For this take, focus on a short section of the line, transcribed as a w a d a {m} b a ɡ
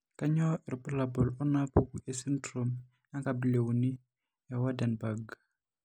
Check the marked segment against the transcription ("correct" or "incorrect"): incorrect